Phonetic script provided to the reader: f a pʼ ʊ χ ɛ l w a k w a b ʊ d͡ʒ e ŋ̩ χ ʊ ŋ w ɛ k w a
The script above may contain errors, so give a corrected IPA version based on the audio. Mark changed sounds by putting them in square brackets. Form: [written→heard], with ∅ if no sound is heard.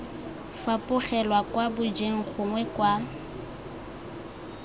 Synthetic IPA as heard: f a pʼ ʊ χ ɛ l w a k w a b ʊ d͡ʒ e ŋ̩ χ ʊ ŋ w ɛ k w a